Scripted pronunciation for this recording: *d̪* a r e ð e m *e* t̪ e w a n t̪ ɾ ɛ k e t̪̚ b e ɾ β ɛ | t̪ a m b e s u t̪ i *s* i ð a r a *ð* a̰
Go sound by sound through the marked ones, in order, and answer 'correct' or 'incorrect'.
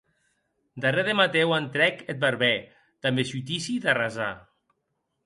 correct, incorrect: a, correct, incorrect: z

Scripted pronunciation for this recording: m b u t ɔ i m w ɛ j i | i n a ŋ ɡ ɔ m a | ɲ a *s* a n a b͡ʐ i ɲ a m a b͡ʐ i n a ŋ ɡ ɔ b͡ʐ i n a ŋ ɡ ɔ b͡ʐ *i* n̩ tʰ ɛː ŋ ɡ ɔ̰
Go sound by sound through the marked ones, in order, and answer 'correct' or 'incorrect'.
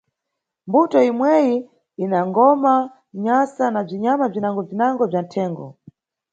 correct, incorrect: a

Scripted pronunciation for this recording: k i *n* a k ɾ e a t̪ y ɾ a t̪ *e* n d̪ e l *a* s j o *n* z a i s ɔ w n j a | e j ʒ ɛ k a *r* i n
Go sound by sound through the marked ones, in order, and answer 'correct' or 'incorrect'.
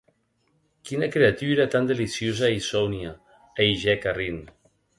correct, incorrect: a, incorrect: i, incorrect: none, correct

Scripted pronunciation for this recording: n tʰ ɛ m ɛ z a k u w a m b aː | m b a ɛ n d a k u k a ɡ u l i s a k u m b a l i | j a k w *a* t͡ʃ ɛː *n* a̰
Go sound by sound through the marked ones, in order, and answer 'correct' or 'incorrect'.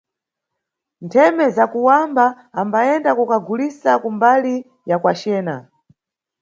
correct, correct

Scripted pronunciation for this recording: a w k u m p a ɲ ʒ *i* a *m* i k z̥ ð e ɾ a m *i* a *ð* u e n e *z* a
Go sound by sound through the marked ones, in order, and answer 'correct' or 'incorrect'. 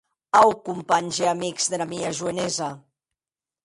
incorrect: e, correct, correct, incorrect: ʒ, correct

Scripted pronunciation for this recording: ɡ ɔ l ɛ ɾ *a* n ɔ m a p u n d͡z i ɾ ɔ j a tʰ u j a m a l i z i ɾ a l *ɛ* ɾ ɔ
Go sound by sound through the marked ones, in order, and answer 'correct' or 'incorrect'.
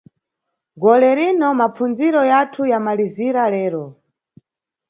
incorrect: i, incorrect: ɛː

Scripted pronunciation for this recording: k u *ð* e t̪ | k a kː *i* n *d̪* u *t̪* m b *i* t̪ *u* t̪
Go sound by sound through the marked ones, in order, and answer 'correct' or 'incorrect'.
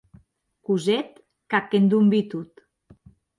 incorrect: z, incorrect: e, correct, incorrect: none, correct, correct

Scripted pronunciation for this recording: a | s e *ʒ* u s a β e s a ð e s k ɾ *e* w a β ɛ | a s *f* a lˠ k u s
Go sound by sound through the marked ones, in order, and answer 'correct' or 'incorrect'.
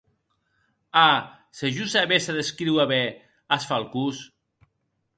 correct, incorrect: i, correct

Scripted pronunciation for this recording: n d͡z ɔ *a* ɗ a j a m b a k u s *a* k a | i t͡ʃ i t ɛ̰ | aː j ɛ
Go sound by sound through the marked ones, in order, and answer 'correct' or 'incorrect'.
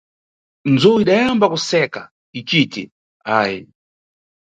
incorrect: i, incorrect: ɛ

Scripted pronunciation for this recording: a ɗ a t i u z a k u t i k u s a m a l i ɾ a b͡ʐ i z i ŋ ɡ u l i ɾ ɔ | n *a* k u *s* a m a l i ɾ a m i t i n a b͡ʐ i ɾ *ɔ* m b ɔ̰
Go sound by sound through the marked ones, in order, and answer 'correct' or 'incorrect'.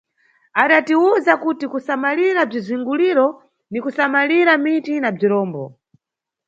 incorrect: i, correct, incorrect: ɔː

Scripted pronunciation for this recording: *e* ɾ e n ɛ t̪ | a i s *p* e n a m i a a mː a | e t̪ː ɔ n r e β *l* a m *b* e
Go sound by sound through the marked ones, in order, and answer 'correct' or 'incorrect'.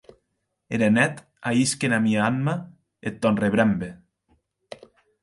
correct, incorrect: k, incorrect: ɾ, correct

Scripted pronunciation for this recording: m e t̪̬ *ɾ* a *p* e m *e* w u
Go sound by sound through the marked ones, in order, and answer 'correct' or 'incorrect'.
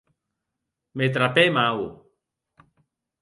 correct, correct, incorrect: a

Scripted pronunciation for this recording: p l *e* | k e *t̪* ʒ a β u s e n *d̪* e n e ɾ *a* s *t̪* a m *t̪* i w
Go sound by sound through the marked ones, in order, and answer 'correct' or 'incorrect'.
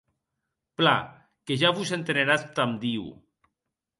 incorrect: a, incorrect: none, incorrect: t̪, correct, correct, incorrect: d̪

